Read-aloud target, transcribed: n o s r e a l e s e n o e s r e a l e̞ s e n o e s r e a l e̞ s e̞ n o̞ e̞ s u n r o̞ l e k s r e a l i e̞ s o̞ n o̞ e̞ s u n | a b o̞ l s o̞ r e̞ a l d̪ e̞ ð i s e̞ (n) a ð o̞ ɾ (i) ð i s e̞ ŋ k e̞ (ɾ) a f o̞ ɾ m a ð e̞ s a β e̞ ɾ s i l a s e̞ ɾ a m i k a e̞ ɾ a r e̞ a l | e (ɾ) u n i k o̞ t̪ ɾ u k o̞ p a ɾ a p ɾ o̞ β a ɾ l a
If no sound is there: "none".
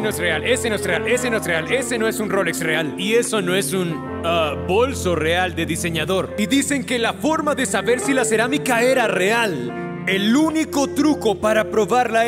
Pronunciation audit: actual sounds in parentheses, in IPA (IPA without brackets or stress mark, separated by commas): ɲ, i, l, l